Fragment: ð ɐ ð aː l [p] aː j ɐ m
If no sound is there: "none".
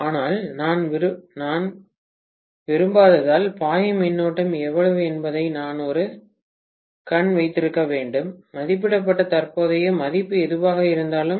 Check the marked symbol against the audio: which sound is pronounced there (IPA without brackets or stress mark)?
p